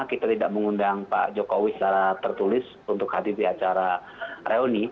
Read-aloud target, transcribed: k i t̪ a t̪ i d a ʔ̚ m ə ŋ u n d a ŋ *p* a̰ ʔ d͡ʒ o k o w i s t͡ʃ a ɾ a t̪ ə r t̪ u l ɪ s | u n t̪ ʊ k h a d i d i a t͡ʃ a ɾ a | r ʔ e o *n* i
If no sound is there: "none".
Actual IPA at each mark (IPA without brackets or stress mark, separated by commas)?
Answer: p, n